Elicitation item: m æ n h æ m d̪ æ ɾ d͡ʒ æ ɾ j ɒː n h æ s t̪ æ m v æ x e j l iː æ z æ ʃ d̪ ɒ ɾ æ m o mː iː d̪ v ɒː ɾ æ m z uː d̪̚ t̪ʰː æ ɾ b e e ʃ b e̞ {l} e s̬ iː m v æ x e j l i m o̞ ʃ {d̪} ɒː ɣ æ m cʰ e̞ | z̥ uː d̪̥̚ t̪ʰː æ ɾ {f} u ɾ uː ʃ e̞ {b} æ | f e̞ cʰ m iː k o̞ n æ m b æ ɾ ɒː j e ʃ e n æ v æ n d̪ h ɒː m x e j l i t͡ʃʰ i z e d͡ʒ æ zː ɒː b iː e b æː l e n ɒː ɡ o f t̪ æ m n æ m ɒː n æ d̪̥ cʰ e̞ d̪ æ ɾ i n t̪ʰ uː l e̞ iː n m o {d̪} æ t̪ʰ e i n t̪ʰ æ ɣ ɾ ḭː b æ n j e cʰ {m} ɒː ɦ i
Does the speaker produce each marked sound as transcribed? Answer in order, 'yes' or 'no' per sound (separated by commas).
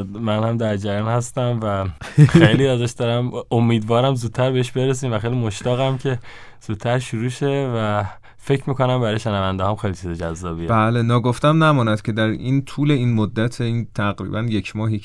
no, no, no, no, no, yes